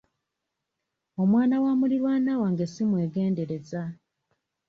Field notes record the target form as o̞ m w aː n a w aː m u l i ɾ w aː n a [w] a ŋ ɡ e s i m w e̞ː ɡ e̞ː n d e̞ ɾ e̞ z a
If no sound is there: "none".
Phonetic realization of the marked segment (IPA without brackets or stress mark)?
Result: w